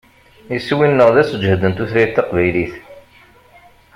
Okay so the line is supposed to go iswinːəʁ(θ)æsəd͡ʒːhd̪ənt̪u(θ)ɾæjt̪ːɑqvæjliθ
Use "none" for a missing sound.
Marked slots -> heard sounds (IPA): ð, θ

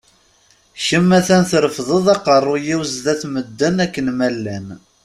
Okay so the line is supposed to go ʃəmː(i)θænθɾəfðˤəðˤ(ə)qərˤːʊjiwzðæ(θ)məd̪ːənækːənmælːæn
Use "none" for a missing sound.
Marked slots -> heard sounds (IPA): æ, ɑ, θ

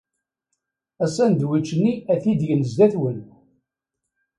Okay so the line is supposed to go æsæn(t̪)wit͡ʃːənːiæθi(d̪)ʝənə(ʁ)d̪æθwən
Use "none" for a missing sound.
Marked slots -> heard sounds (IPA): d̪, d̪, z

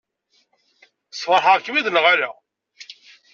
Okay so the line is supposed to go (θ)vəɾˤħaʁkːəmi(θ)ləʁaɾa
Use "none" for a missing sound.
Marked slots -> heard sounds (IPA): s, ð

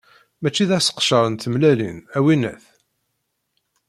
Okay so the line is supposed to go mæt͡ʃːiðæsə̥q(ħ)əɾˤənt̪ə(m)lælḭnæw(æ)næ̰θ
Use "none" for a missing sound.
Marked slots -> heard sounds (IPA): ʃ, m, i

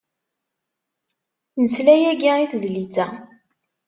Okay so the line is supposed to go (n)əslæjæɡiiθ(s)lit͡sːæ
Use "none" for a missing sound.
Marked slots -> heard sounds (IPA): n, z

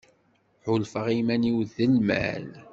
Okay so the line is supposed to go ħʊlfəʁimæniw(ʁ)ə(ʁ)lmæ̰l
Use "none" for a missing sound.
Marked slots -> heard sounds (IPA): ð, none

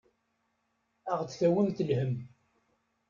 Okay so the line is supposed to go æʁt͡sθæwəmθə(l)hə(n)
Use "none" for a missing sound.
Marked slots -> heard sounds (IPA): l, m

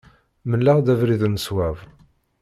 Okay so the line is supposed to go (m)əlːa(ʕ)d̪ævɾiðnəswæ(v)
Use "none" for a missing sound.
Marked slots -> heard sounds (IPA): m, ʁ, v

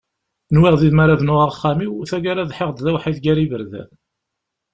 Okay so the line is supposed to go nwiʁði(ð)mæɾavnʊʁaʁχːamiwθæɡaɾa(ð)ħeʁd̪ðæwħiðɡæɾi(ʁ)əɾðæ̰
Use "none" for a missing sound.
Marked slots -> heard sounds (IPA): ð, ð, v

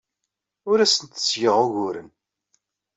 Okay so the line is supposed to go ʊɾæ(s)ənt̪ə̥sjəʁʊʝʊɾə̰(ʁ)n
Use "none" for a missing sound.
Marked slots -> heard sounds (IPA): s, none

